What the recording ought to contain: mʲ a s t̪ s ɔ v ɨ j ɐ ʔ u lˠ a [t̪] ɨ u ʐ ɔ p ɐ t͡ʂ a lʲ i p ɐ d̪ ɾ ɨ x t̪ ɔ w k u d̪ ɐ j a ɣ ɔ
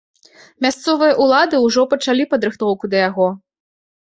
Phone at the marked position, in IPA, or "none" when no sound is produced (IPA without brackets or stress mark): d̪